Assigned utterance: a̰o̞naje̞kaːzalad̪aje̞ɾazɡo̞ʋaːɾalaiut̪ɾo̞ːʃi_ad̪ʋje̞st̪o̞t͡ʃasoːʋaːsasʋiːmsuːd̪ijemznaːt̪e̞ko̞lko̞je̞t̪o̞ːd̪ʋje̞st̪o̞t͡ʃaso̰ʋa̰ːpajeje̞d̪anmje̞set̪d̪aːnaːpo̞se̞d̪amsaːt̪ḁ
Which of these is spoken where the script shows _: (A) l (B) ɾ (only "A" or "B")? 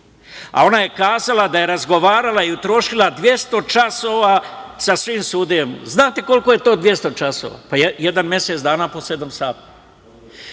A